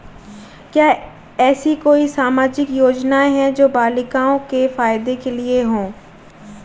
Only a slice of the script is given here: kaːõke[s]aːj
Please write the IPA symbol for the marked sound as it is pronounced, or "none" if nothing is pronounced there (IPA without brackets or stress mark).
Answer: f